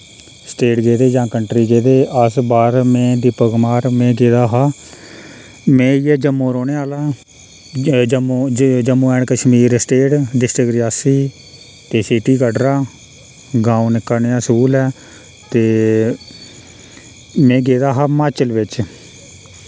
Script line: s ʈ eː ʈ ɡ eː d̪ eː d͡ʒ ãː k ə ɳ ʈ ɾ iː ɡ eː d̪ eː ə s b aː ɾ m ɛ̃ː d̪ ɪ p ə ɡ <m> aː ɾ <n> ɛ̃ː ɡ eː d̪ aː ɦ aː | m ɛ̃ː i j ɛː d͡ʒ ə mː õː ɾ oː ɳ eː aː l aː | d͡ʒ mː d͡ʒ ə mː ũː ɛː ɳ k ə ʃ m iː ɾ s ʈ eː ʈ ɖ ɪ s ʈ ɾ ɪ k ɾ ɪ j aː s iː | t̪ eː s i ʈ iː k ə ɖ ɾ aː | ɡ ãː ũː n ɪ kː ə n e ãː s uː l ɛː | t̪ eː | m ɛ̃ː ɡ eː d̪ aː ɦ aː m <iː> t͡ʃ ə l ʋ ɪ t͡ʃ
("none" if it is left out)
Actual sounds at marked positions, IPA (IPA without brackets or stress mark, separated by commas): m, m, aː